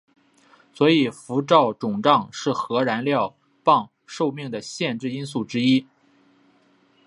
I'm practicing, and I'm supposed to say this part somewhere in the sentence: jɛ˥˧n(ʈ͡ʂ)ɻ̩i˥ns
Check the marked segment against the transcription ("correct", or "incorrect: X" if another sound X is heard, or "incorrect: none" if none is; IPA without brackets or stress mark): correct